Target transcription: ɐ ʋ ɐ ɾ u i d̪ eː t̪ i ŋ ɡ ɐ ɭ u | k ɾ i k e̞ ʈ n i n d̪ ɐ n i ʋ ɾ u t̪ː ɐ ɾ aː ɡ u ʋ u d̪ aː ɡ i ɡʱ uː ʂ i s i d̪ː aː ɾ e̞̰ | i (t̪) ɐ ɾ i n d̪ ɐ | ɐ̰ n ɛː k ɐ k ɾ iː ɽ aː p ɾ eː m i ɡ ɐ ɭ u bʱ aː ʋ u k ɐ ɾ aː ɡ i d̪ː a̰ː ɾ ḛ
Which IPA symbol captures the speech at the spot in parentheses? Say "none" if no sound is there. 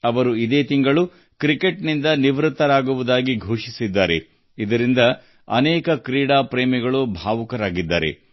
d̪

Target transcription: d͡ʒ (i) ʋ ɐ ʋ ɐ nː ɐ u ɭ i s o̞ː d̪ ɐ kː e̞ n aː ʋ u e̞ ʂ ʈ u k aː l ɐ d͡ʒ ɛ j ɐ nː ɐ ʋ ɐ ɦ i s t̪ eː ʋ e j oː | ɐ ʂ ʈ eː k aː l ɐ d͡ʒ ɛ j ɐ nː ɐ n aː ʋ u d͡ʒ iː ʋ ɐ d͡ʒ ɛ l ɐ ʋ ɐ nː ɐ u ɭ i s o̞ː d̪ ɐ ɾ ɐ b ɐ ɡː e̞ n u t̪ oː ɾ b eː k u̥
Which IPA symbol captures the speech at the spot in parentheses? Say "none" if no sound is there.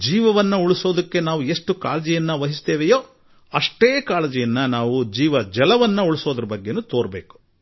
iː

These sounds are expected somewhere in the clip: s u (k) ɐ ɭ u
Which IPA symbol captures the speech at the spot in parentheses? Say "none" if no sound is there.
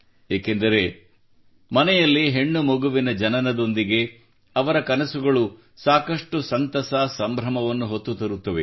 ɡ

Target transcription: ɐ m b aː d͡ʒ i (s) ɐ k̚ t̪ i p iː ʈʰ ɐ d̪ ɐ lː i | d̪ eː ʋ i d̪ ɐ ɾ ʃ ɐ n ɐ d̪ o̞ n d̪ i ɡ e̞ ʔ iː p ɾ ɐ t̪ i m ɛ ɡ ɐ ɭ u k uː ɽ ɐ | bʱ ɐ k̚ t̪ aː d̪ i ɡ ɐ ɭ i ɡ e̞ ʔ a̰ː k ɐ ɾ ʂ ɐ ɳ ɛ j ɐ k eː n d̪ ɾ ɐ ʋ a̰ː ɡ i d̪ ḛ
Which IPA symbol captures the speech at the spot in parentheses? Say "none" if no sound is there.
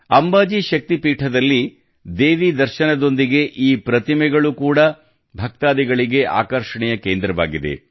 ʃ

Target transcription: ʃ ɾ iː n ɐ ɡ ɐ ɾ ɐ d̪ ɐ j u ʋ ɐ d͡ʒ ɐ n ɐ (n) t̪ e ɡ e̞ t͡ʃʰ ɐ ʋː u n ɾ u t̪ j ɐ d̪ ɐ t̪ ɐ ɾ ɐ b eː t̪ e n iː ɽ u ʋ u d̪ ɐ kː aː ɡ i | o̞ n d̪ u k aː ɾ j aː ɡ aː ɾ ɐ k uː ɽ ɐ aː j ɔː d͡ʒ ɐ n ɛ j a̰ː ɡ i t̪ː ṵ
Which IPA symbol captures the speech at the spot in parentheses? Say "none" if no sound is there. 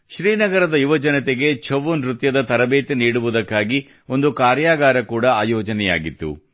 none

